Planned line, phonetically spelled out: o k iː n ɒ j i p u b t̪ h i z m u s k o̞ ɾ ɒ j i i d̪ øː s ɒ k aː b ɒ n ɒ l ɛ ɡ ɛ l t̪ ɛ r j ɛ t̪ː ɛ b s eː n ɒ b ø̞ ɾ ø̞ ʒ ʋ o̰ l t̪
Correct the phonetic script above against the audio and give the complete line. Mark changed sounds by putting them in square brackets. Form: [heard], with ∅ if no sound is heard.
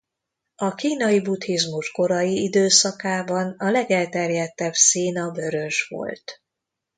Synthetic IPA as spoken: [ɒ] k iː n ɒ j i [b] u [∅] t̪ h i z m u [ʃ] k o̞ ɾ ɒ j i i d̪ øː s ɒ k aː b ɒ n ɒ l ɛ ɡ ɛ l t̪ ɛ r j ɛ t̪ː ɛ b s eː n ɒ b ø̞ ɾ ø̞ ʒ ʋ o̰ l t̪